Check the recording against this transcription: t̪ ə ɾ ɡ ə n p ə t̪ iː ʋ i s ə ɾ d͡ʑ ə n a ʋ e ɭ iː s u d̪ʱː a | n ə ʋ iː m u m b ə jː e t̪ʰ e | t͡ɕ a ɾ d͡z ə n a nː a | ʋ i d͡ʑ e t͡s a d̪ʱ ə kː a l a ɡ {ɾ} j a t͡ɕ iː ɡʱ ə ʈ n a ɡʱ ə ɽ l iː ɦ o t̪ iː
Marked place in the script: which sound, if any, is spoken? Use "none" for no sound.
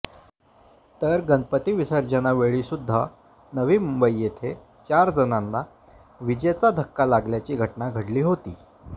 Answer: l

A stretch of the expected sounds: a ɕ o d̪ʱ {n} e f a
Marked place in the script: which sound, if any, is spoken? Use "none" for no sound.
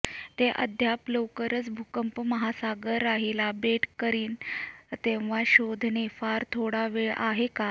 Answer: n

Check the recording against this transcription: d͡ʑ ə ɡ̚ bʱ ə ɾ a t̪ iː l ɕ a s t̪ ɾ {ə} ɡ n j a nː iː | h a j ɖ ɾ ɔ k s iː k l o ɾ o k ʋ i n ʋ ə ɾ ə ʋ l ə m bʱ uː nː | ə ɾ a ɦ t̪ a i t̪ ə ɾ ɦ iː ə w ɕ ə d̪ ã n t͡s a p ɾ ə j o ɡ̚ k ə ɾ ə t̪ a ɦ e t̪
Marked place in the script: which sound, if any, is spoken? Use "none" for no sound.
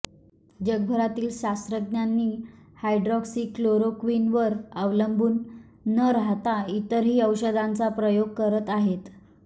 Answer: ə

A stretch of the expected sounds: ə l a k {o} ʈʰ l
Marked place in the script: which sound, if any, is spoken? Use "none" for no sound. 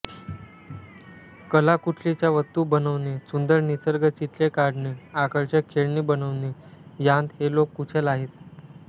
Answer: u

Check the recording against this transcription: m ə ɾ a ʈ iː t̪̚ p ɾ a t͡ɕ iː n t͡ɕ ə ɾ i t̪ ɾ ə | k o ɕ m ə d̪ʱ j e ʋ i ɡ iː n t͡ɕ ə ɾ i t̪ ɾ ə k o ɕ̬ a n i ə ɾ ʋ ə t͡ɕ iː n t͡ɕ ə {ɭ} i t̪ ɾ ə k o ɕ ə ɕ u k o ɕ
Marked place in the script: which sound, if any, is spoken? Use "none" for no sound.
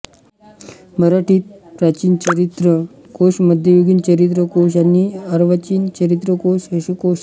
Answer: ɾ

